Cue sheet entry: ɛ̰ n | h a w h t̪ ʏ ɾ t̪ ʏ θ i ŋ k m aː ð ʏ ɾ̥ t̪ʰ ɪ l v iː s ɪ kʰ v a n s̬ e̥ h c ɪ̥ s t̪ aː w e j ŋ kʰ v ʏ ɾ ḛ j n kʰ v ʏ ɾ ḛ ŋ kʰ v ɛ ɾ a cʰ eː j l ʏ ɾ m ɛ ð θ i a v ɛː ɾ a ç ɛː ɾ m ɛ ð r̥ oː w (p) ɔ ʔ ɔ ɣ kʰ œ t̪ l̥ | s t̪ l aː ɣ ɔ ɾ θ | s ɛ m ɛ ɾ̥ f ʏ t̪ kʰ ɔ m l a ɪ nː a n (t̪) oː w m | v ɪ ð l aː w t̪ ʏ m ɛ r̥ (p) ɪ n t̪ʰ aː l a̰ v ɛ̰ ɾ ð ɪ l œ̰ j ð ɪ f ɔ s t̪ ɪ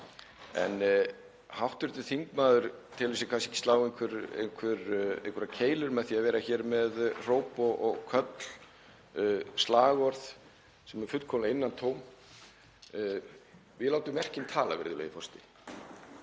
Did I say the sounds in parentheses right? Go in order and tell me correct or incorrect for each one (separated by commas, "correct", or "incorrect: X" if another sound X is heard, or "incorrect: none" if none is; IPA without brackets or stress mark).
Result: correct, incorrect: t̪ʰ, incorrect: c